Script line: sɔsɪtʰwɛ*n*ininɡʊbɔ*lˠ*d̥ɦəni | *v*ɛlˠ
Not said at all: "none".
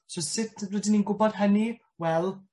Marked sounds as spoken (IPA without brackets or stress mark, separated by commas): d, none, w